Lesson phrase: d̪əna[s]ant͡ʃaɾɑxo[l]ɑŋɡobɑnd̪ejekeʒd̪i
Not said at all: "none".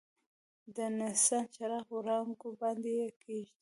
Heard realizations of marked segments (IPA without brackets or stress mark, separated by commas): s, ɾ